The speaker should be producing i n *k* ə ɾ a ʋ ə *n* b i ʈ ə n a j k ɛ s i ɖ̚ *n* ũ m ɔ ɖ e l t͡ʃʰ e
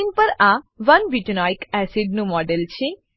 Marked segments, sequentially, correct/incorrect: incorrect: p, correct, correct

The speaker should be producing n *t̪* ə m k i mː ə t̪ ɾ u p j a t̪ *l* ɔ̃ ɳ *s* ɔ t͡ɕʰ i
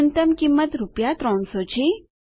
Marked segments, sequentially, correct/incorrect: correct, incorrect: ɾ, correct

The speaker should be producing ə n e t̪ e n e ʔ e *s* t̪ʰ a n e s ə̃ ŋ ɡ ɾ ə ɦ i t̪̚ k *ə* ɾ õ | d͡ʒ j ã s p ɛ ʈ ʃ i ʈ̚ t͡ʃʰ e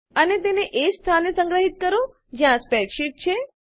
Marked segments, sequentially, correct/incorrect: correct, correct

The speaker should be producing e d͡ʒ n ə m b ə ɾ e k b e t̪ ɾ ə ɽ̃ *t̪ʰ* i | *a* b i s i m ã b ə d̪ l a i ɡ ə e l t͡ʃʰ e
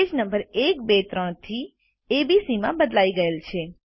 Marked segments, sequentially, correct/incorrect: correct, incorrect: e

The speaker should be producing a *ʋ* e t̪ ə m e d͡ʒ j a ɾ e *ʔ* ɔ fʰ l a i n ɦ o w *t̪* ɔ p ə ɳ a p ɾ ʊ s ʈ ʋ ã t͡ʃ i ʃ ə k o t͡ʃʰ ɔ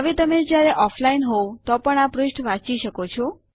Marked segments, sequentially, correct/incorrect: correct, correct, correct

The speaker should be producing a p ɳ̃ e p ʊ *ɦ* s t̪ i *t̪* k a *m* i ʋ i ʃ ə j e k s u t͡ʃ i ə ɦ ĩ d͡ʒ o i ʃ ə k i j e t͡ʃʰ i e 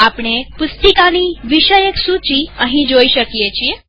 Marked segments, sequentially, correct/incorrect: incorrect: none, incorrect: none, incorrect: n

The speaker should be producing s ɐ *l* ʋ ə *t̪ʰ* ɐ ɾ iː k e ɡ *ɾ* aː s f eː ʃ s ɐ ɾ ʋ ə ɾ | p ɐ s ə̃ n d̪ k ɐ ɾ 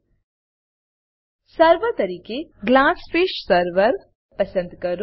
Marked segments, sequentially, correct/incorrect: incorrect: ɾ, incorrect: t̪, incorrect: l

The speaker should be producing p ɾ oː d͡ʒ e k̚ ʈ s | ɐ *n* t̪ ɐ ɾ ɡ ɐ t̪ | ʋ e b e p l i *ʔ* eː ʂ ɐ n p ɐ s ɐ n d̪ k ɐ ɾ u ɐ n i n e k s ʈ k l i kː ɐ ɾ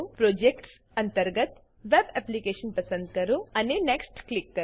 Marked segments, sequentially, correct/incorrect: correct, incorrect: k

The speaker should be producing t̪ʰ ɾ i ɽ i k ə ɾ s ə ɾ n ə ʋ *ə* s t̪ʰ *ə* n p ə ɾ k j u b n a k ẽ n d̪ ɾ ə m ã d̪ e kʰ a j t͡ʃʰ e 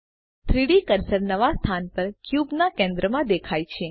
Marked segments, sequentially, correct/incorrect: incorrect: a, incorrect: a

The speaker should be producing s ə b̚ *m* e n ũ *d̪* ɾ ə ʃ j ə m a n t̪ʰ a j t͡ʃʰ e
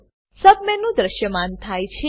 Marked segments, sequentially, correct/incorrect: correct, correct

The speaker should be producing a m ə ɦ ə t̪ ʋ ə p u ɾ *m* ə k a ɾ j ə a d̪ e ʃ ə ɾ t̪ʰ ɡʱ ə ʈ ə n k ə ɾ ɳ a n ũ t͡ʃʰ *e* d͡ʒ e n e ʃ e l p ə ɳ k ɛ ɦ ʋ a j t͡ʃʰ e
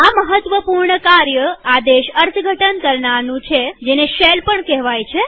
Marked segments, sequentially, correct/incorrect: incorrect: ɳ, correct

